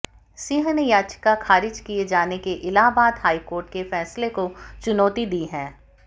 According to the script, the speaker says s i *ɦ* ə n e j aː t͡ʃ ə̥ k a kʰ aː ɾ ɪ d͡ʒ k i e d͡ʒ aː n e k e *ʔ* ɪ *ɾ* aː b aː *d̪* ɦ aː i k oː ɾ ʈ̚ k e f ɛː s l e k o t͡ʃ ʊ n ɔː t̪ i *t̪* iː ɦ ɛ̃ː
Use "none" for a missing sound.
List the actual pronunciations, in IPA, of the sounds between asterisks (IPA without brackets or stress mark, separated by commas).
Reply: ɦ, ʔ, l, d̪, d̪